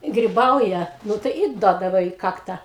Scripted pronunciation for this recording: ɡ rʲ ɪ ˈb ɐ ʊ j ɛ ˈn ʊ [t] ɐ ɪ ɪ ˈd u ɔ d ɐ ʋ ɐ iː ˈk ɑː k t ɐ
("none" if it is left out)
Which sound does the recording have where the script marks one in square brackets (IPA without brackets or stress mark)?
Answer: t